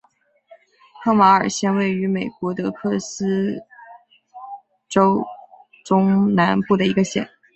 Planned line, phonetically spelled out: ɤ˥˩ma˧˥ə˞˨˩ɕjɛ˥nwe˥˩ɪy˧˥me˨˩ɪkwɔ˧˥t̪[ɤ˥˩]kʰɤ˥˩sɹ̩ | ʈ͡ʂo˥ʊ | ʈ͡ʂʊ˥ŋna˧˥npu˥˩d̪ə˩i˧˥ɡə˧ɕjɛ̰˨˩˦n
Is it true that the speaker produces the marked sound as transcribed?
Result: no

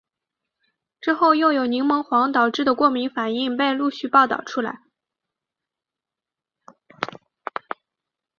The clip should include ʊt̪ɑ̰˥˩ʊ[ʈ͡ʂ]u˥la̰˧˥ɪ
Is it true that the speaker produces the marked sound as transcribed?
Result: no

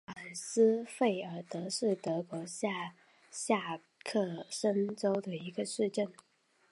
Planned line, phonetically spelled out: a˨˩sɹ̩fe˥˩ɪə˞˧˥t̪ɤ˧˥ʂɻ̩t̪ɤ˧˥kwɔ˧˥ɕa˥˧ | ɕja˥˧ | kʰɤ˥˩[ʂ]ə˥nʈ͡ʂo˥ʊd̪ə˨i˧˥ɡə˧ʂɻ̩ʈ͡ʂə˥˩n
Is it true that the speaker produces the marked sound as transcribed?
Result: yes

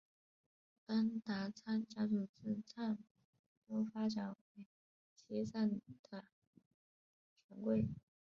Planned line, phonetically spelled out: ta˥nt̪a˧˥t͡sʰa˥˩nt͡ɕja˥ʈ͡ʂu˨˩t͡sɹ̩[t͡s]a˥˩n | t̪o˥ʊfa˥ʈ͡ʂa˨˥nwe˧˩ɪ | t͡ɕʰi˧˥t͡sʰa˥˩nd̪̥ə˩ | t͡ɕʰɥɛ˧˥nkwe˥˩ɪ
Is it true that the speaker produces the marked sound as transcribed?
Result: no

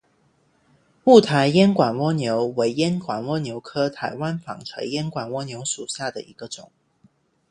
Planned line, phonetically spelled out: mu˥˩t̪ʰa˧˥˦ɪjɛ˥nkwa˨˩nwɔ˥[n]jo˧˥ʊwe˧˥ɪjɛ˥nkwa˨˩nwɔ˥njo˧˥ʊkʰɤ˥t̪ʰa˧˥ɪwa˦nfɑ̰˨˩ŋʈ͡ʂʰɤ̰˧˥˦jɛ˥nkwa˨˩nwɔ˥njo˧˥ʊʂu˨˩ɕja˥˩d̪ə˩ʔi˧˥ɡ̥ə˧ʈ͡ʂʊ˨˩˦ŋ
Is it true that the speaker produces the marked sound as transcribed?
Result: yes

